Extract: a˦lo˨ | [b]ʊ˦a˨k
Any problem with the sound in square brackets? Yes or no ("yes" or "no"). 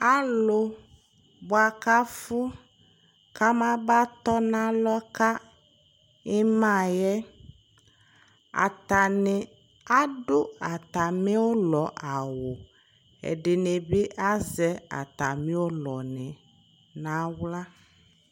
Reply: no